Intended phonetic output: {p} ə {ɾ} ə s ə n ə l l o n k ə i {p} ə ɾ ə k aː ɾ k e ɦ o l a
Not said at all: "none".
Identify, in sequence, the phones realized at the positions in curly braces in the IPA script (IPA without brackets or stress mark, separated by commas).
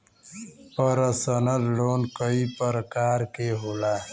p, ɾ, p